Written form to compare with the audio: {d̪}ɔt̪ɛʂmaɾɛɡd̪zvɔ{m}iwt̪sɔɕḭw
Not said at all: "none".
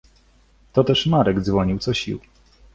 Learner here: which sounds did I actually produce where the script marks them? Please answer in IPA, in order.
t̪, ɲ

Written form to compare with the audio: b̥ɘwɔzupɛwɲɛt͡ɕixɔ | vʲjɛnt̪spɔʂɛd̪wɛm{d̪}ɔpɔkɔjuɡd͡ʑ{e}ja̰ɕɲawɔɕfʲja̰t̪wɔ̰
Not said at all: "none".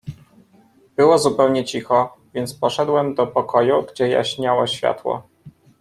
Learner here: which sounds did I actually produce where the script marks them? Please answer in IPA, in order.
d̪, ɛ

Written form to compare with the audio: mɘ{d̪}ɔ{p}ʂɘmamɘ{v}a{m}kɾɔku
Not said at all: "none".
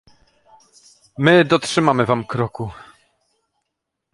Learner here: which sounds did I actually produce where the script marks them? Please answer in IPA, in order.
d̪, t, v, m

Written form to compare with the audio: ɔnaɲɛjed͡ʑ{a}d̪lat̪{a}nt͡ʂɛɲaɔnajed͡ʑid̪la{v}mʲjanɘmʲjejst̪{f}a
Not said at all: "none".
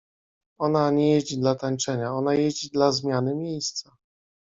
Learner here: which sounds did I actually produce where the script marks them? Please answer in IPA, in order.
i, a, z, s

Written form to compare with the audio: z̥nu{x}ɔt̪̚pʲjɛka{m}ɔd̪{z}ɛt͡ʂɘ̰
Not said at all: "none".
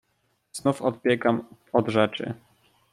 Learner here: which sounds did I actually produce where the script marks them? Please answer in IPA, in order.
f, m, ʐ

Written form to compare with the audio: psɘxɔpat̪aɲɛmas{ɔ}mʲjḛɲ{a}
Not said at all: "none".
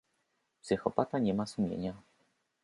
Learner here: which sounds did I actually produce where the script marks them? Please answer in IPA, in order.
u, a

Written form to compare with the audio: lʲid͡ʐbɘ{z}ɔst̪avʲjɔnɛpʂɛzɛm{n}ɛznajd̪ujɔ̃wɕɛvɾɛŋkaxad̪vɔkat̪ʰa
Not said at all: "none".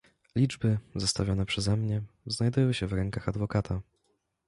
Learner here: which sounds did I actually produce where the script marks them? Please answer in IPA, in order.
z, ɲ

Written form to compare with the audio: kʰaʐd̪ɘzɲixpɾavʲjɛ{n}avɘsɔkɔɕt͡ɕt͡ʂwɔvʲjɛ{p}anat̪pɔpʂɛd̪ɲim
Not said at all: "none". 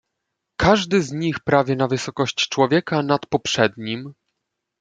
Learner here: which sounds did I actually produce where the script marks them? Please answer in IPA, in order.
n, k

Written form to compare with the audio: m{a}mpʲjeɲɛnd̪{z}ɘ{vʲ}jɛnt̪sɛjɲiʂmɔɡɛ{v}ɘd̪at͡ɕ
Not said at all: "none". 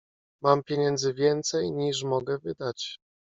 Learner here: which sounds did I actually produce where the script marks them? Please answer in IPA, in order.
a, z, vʲ, v

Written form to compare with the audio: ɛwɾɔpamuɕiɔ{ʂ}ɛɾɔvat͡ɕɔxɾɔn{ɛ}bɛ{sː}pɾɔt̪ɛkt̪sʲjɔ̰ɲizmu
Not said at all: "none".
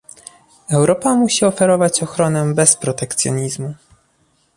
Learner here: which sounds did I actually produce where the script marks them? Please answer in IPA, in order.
f, ɛ, s

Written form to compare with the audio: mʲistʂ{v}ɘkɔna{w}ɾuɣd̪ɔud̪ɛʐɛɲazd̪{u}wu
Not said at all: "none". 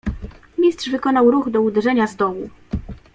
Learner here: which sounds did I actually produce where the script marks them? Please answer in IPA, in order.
v, w, ɔ

